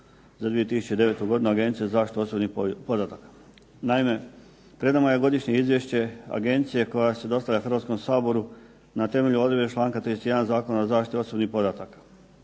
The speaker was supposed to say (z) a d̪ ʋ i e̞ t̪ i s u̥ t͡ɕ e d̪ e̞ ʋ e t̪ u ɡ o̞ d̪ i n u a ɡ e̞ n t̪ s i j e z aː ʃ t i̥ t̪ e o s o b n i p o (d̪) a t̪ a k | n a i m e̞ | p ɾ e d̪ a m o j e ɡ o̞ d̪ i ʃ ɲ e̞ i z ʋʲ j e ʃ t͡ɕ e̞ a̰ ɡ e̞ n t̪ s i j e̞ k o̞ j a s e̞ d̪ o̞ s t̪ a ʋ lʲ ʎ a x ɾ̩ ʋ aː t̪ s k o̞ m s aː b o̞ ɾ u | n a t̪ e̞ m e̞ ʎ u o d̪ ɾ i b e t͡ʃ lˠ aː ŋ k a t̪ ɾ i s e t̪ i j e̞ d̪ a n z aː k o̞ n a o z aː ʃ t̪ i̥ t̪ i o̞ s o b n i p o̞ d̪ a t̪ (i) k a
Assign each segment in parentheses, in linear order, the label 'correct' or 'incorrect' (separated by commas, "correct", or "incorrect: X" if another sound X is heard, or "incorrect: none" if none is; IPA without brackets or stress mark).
correct, correct, incorrect: a